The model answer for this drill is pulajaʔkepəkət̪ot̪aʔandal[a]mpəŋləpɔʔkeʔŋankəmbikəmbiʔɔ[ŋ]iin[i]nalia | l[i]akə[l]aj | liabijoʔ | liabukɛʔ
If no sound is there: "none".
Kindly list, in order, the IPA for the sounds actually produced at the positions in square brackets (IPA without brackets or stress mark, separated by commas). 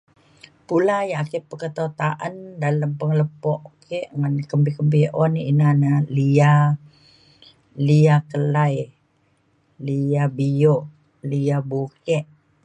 ə, n, a, i, l